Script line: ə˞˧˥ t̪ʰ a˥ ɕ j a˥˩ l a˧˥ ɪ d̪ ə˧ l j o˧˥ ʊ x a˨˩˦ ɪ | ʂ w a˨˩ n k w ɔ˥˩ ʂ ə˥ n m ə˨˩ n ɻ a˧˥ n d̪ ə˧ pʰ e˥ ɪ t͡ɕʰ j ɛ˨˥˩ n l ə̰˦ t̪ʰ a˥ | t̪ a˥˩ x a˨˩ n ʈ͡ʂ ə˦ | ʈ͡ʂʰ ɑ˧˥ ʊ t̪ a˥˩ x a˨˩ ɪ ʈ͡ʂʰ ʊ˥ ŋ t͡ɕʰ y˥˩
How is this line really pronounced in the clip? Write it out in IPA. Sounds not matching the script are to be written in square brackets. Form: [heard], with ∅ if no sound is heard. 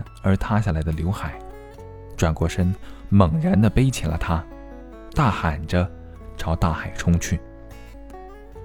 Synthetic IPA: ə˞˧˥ t̪ʰ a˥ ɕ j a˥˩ l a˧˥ ɪ d̪ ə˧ l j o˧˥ ʊ x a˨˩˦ ɪ | [ʈ͡ʂ] w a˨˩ n k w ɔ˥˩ ʂ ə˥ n m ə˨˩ [ŋ] ɻ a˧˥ n d̪ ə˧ [p] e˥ ɪ t͡ɕʰ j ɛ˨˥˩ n l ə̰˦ t̪ʰ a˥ | t̪ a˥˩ x a˨˩ n ʈ͡ʂ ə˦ | ʈ͡ʂʰ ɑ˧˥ ʊ t̪ a˥˩ x a˨˩ ɪ ʈ͡ʂʰ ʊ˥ ŋ t͡ɕʰ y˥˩